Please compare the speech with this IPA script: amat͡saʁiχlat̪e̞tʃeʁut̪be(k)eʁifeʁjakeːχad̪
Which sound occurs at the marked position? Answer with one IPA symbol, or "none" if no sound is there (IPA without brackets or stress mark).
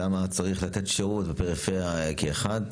p